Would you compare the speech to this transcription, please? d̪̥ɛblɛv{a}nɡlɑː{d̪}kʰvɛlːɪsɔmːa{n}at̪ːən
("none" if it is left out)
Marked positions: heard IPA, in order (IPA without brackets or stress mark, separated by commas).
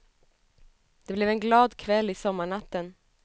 ɛ, d̪, ɳ